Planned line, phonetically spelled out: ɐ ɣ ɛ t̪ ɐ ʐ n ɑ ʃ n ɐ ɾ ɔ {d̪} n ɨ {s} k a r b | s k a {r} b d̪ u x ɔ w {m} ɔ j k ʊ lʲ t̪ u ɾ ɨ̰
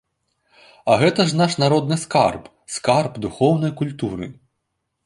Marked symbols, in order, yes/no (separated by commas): yes, yes, yes, no